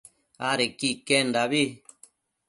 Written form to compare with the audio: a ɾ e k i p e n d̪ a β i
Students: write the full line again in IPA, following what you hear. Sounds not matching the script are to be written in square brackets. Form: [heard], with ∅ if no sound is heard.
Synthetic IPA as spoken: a ɾ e k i [k] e n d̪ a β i